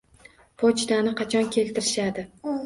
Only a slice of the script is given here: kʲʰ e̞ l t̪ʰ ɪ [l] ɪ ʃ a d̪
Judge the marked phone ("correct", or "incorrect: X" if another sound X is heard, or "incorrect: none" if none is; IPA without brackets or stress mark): incorrect: ɾ